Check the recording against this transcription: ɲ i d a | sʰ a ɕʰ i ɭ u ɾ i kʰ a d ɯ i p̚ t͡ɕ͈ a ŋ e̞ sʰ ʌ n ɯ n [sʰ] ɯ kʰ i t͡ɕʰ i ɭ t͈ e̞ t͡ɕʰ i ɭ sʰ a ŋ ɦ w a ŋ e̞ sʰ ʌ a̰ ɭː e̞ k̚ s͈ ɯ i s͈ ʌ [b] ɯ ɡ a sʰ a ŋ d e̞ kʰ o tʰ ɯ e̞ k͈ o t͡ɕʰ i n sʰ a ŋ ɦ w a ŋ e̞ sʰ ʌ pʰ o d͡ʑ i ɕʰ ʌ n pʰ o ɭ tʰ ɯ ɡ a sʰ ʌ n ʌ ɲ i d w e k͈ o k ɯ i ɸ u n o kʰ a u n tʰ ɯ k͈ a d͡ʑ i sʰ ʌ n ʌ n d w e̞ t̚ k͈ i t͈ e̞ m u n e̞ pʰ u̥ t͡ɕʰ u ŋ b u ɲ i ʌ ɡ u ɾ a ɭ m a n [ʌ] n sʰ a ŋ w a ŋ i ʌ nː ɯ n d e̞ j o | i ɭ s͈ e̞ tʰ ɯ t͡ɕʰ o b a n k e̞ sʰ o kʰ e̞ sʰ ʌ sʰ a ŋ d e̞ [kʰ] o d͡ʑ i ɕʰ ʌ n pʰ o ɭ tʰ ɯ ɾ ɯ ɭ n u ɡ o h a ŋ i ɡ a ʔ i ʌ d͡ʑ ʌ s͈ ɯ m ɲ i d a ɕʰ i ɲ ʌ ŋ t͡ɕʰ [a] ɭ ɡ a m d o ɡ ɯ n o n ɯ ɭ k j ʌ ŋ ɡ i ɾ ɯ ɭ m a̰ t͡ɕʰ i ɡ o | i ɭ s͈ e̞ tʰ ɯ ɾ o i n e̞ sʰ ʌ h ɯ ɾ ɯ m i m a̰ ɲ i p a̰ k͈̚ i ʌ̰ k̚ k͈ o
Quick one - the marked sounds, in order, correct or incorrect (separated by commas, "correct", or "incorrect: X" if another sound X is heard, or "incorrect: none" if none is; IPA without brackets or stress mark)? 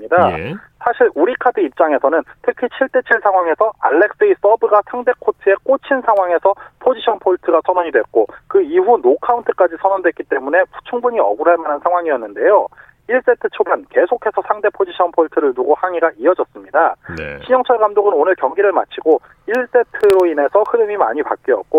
incorrect: tʰ, correct, incorrect: a, incorrect: pʰ, incorrect: ʌ